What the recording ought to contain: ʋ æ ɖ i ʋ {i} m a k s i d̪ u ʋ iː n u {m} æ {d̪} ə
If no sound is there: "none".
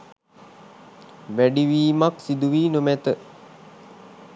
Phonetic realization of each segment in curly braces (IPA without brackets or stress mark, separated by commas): iː, m, t̪